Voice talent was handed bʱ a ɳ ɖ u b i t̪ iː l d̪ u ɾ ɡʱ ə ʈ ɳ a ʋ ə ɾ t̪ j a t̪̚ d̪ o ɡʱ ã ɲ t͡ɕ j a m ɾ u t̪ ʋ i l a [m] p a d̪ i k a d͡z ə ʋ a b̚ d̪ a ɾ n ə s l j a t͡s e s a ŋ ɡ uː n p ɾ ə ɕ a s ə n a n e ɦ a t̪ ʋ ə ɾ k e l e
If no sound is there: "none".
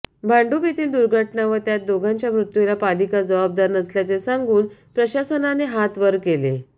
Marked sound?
none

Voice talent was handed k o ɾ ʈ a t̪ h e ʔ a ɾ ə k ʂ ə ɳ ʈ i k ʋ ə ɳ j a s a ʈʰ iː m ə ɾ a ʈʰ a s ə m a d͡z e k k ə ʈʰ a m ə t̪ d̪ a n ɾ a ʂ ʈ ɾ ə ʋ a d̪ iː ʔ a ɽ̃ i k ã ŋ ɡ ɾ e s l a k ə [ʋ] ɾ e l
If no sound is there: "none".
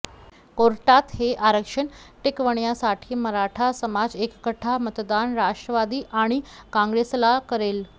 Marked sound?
none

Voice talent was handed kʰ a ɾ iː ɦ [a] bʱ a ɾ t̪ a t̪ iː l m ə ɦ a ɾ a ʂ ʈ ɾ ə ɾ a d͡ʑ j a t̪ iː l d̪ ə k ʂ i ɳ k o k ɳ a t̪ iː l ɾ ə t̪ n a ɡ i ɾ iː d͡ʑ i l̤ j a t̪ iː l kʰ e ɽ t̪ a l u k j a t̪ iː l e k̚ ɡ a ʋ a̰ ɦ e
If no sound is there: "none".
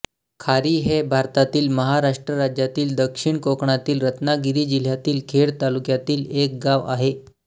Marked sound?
e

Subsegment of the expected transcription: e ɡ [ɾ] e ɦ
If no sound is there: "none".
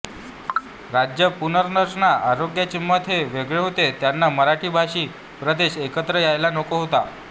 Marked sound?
ɭ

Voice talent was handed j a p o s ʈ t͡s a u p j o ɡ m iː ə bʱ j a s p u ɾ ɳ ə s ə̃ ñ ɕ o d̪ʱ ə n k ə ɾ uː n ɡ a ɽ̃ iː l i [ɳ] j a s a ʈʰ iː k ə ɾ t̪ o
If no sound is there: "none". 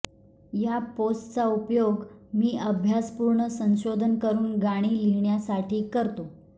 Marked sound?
ɳ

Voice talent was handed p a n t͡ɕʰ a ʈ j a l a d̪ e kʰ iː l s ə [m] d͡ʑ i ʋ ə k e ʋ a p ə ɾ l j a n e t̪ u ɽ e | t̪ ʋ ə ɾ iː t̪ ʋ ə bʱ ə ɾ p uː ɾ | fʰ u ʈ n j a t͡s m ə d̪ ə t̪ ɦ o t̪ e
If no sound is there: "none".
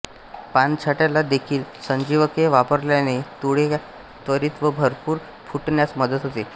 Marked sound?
ɲ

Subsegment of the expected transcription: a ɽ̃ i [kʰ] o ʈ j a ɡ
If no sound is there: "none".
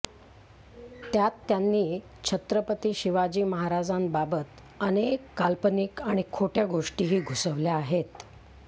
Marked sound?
kʰ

